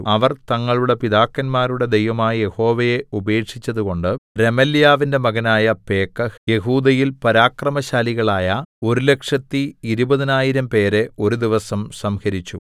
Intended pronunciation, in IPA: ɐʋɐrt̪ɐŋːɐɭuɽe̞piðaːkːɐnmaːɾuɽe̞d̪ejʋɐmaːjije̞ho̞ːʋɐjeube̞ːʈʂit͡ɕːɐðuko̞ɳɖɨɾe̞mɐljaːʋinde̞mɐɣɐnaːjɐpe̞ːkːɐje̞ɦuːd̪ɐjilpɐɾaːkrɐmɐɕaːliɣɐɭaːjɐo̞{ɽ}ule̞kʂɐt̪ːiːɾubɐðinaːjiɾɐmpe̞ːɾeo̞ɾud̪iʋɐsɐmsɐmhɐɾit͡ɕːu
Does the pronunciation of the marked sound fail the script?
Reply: yes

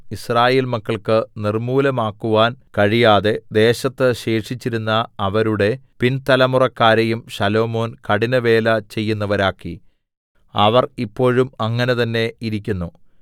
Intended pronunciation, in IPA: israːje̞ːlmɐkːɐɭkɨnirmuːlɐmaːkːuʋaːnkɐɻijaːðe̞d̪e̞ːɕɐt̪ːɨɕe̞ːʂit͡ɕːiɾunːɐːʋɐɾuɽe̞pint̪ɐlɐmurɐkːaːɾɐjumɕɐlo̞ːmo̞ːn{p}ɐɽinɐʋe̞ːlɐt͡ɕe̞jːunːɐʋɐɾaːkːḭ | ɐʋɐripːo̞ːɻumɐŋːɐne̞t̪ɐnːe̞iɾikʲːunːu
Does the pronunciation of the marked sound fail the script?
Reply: yes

